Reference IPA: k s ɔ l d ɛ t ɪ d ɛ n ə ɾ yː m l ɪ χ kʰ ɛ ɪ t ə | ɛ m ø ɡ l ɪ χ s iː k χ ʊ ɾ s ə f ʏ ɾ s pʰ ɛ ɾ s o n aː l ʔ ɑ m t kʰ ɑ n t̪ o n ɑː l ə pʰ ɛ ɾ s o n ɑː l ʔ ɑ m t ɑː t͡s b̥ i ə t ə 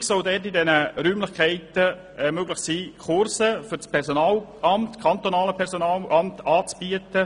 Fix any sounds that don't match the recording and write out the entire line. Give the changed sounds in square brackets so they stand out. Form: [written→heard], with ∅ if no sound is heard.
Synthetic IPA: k s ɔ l d ɛ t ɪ d ɛ n ə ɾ yː m l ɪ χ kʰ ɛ ɪ t ə | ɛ m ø ɡ l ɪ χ s iː k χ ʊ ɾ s ə f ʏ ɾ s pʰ ɛ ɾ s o n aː l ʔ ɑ m t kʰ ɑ n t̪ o n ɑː l ə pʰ ɛ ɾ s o n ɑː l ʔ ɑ m t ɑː t͡s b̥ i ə t ə